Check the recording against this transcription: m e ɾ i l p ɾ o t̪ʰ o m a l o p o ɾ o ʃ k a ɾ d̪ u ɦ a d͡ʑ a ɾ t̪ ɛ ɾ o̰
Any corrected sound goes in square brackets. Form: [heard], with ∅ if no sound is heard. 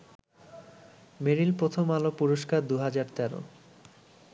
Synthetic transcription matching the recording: m e ɾ i l p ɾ o t̪ʰ o m a l o p [u] ɾ o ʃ k a ɾ d̪ u ɦ a d͡ʑ a ɾ t̪ ɛ ɾ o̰